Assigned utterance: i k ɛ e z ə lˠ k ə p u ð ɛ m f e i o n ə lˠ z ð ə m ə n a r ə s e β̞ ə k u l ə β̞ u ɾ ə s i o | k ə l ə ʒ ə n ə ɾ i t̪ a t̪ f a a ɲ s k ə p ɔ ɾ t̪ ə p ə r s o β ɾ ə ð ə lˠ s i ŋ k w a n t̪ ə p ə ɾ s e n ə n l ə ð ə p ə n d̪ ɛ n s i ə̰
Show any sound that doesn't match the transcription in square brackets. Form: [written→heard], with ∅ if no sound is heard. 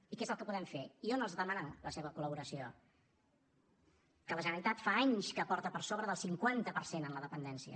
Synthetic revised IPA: i k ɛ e z ə lˠ k ə p u ð ɛ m f e i o n ə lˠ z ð ə m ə n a [r→l] ə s e β̞ ə k u l ə β̞ u ɾ ə s i o | k ə l ə ʒ ə n ə ɾ i t̪ a t̪ f a a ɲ s k ə p ɔ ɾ t̪ ə p ə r s o β ɾ ə ð ə lˠ s i ŋ k w a n t̪ ə p ə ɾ s e n ə n l ə ð ə p ə n d̪ ɛ n s i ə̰